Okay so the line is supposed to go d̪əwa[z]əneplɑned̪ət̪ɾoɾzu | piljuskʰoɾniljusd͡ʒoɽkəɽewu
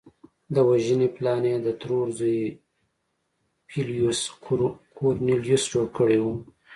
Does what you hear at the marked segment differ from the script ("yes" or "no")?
yes